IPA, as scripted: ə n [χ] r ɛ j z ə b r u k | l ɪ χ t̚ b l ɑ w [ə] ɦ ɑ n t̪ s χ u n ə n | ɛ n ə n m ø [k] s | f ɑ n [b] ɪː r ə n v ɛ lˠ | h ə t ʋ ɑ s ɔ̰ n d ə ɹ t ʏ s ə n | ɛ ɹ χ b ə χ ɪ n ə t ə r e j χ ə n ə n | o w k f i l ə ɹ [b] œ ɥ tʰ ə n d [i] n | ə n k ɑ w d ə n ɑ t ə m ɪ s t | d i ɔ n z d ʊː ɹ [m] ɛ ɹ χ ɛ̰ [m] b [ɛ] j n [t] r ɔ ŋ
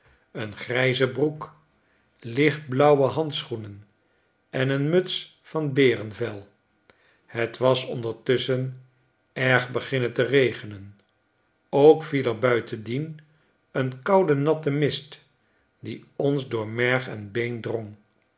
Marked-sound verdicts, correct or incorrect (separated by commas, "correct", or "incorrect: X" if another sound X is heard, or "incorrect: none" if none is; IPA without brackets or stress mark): correct, correct, incorrect: t, correct, correct, correct, correct, incorrect: n, incorrect: e, incorrect: d